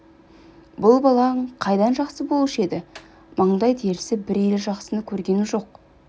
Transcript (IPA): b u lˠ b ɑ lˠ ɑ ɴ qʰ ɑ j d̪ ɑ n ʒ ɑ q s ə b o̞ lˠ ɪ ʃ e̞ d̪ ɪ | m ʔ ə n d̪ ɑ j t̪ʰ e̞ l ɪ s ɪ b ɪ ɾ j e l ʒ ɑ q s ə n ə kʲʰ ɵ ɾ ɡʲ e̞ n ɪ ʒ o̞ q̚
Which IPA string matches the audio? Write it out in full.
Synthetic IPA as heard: b ʊ lˠ b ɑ lˠ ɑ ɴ qʰ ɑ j d̪ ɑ n ʒ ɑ q s ə b o̞ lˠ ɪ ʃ e̞ d̪ ɪ | m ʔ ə ɴ d̪ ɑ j t̪ʰ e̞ ɾ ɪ s ɪ b ɪ ɾ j e l ʒ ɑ q s ə n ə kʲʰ ɵ ɾ ɡʲ e̞ n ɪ ʒ o̞ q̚